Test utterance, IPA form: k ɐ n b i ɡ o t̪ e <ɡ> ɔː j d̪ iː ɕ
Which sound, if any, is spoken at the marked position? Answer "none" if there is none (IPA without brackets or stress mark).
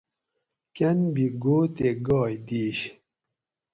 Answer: ɡ